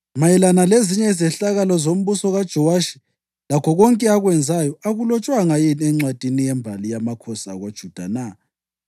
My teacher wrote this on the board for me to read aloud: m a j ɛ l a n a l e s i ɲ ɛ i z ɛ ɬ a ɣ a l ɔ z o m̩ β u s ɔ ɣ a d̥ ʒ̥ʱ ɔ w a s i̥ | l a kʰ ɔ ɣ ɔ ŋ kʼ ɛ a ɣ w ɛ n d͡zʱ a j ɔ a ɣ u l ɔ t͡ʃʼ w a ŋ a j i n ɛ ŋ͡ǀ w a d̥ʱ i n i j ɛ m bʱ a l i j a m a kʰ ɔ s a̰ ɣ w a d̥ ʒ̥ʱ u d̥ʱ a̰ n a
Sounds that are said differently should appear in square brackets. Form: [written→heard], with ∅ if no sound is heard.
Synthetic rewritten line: m a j ɛ l a n a l e [s→z] i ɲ ɛ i z ɛ ɬ a ɣ a l ɔ z o m̩ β u s ɔ ɣ a d̥ ʒ̥ʱ ɔ w a [s→ʃ] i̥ | l a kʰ ɔ ɣ ɔ ŋ kʼ ɛ a ɣ w ɛ n d͡zʱ a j ɔ a ɣ u l ɔ t͡ʃʼ w a ŋ a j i n ɛ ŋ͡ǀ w a d̥ʱ i n i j ɛ m bʱ a l i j a m a kʰ ɔ s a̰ ɣ w a d̥ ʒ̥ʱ u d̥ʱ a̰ n a